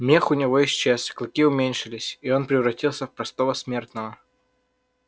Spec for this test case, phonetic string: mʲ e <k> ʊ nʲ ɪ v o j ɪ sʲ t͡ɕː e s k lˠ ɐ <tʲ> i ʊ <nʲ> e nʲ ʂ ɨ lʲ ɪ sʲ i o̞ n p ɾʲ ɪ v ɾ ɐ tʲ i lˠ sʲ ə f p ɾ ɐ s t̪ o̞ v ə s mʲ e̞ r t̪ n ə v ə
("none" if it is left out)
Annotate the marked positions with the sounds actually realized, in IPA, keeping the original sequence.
x, kʲ, mʲ

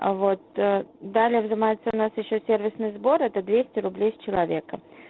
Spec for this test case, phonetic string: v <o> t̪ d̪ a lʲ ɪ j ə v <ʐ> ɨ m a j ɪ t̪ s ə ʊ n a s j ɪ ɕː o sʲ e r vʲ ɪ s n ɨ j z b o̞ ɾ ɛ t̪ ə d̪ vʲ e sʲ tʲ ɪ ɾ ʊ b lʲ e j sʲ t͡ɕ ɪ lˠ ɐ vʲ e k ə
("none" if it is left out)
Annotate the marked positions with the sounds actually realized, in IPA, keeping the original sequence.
o, z

